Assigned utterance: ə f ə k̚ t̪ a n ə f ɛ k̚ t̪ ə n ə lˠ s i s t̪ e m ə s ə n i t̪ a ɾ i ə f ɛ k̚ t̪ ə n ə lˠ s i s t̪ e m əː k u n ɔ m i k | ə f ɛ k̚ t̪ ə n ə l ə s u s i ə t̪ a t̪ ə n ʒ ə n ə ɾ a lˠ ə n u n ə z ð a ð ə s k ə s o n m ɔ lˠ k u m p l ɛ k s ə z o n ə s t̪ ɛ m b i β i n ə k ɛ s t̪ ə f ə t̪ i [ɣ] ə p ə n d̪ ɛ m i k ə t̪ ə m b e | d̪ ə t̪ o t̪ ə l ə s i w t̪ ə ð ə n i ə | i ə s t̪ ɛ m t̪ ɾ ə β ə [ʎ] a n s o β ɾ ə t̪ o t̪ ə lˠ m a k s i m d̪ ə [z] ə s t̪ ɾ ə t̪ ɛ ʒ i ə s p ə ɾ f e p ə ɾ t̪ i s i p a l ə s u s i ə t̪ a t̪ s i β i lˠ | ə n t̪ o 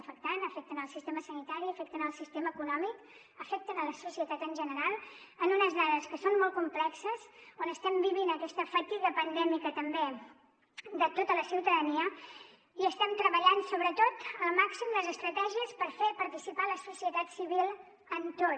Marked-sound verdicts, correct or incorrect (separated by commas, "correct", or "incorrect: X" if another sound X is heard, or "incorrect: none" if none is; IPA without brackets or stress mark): correct, correct, correct